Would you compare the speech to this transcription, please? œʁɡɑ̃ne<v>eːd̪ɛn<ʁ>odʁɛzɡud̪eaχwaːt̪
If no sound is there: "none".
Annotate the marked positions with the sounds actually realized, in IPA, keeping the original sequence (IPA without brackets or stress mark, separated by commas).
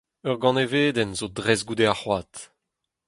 v, z